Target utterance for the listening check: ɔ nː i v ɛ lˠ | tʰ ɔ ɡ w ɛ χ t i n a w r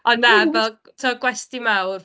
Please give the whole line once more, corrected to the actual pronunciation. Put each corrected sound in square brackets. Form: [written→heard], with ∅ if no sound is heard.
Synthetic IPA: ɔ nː [i→a] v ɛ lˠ | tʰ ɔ ɡ w ɛ [χ→s] t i [n→m] a w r